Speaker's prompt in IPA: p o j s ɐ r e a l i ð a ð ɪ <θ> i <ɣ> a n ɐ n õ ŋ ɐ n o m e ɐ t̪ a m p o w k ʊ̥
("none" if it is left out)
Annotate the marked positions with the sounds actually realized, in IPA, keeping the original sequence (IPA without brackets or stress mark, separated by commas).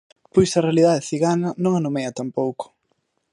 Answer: θ, ɣ